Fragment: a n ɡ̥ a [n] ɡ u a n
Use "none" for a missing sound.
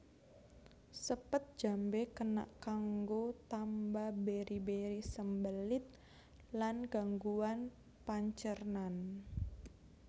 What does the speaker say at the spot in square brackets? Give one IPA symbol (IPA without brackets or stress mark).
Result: ŋ